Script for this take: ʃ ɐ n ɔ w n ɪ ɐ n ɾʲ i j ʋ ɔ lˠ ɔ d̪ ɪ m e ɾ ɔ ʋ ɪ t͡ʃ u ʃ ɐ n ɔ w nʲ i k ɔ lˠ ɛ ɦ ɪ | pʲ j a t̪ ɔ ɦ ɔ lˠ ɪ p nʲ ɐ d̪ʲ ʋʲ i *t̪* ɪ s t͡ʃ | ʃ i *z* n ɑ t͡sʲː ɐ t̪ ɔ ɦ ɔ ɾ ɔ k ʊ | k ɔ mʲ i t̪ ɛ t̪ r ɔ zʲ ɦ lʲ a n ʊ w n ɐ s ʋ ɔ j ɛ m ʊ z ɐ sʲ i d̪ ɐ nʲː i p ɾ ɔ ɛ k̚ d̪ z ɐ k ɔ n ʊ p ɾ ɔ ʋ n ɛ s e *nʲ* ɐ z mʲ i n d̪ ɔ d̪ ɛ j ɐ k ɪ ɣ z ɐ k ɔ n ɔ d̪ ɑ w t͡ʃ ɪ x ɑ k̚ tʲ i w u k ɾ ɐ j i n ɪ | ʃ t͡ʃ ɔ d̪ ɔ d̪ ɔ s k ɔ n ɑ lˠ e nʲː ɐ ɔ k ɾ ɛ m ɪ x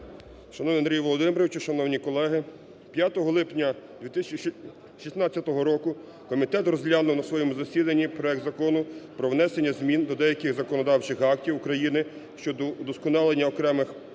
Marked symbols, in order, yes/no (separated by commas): yes, no, no